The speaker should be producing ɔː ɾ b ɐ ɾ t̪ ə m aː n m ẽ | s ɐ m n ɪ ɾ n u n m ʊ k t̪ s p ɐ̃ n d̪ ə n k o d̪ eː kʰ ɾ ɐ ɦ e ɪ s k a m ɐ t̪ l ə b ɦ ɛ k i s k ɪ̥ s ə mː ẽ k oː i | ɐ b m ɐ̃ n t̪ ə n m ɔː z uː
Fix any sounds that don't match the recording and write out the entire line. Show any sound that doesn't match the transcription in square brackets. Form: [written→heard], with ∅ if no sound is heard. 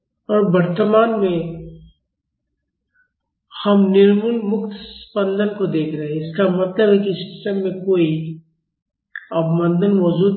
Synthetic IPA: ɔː ɾ b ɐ ɾ t̪ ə m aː n m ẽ | [s→h] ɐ m n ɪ ɾ [n→m] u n m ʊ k t̪ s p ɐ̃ n d̪ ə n k o d̪ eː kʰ ɾ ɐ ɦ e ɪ s k a m ɐ t̪ l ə b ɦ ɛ k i s k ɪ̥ s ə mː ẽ k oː i | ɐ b m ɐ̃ n [t̪→d̪] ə n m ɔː z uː